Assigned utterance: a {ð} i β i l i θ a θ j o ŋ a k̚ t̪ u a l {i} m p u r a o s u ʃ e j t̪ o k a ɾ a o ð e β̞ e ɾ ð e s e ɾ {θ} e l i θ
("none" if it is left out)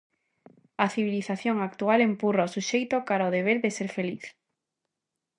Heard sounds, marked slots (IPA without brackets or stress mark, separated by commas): θ, e, f